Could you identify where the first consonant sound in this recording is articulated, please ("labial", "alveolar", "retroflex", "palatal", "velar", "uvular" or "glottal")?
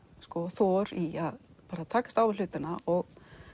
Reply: alveolar